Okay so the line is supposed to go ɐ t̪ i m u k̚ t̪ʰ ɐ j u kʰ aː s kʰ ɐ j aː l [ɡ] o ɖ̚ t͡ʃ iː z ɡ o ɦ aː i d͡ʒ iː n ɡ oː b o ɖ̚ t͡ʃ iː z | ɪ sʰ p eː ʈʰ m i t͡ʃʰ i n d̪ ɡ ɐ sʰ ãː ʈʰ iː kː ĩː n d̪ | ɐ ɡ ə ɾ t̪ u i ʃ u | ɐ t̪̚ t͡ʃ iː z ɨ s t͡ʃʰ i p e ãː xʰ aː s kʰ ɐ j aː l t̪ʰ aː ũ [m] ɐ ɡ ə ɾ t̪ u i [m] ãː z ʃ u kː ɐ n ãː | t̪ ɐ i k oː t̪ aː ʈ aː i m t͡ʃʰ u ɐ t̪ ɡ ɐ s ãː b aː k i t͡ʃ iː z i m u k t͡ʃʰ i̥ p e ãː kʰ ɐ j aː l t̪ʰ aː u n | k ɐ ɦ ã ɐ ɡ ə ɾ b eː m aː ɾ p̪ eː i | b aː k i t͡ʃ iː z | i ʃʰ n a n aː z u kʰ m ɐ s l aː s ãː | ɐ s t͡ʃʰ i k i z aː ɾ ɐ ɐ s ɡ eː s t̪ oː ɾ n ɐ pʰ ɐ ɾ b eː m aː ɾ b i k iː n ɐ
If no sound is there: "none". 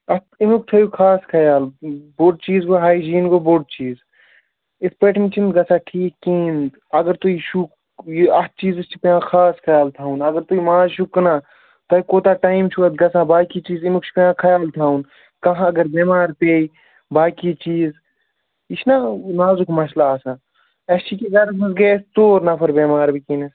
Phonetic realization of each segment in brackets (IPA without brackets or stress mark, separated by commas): b, n, m